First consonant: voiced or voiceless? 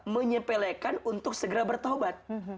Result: voiced